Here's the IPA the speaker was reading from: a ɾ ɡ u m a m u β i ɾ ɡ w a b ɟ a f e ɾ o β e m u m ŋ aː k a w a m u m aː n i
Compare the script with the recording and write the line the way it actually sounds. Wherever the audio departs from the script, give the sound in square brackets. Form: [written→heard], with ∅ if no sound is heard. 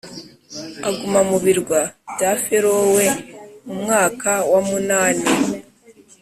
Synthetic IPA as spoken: a [ɾ→∅] ɡ u m a m u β i ɾ ɡ w a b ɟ a f e ɾ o [β→w] e m u m ŋ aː k a w a m u [m→n] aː n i